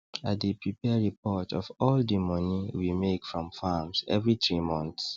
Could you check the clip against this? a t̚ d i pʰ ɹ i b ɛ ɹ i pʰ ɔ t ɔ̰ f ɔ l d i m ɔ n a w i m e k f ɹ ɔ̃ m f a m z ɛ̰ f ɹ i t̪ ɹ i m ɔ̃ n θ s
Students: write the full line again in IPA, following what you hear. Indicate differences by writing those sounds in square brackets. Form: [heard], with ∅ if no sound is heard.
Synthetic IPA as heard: a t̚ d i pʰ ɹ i [p] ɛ ɹ i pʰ ɔ t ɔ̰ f ɔ l d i m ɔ n [i] w i m e k f ɹ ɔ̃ m f a m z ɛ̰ [v] ɹ i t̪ ɹ i m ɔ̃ n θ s